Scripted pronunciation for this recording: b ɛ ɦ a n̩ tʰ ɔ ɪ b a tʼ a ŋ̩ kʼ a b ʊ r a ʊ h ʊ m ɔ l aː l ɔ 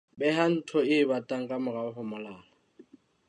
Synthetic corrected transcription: b ɛ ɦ a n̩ tʰ ɔ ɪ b a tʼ a ŋ̩ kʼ a m ʊ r a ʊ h ʊ m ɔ l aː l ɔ